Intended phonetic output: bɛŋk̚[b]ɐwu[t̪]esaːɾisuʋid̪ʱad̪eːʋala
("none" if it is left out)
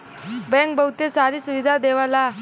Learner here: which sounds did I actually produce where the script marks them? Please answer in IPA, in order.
b, t̪

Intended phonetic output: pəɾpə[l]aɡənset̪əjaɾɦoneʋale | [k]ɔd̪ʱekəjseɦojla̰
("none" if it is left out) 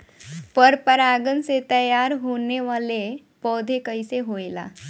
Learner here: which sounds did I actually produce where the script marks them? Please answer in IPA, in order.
ɾ, p

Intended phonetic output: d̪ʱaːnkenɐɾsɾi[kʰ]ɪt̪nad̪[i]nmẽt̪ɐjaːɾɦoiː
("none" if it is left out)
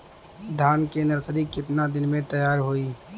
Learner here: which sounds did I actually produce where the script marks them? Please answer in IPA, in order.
k, ɪ

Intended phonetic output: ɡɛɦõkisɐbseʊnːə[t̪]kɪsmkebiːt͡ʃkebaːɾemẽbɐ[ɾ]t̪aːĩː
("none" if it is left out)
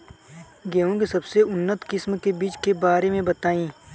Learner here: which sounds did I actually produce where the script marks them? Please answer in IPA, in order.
t̪, none

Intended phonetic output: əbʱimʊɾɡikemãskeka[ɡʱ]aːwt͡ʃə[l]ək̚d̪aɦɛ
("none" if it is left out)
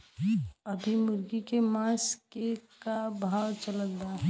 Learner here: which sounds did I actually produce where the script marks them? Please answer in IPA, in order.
bʱ, l

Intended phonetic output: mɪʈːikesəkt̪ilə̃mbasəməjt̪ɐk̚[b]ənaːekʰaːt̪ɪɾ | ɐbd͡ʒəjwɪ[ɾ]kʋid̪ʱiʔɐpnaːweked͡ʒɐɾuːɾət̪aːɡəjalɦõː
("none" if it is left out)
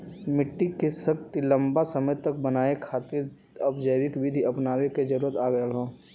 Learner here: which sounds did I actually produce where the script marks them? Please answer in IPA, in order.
b, none

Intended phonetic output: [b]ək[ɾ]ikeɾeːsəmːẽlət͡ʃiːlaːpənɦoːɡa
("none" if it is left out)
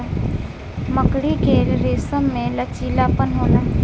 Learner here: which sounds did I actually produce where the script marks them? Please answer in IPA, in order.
m, ɽ

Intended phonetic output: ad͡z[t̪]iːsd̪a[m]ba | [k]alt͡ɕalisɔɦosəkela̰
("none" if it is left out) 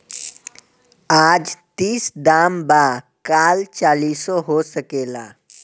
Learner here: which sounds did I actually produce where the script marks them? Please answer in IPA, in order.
t̪, m, k

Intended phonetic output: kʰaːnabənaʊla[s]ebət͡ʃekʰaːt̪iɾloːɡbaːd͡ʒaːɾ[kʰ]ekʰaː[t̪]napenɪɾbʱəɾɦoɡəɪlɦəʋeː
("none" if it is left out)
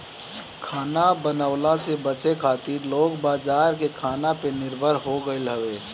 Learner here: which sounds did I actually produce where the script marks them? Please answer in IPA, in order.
s, k, none

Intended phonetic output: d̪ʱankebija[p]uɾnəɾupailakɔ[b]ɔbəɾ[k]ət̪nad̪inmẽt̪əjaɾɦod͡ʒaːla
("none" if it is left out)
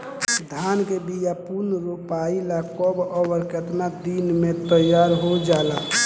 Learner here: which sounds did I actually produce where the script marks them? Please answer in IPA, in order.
p, b, k

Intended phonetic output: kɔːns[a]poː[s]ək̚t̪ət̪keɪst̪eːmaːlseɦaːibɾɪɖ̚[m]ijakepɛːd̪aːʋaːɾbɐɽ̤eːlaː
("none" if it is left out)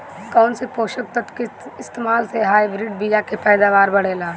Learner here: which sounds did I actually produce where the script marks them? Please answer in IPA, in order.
e, ʃ, b

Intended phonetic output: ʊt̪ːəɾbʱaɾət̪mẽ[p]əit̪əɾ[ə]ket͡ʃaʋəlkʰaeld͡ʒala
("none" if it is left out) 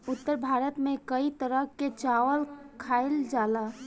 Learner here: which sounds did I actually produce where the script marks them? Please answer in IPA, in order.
k, ə

